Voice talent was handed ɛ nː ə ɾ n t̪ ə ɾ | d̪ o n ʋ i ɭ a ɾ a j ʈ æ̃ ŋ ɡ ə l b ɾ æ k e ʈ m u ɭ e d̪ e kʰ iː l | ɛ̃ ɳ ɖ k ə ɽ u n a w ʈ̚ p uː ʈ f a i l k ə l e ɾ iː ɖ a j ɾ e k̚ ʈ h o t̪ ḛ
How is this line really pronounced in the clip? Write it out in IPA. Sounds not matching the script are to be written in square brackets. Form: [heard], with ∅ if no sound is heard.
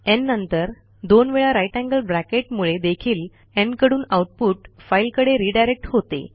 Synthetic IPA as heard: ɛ nː ə [∅] n t̪ ə ɾ | d̪ o n ʋ [e] ɭ a ɾ a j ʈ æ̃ ŋ ɡ ə l b ɾ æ k e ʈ m u ɭ e d̪ e kʰ iː l | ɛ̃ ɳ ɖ k ə ɽ [uː] n a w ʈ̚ p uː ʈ f a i l k ə [ɽ] e ɾ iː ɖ a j ɾ e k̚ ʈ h o t̪ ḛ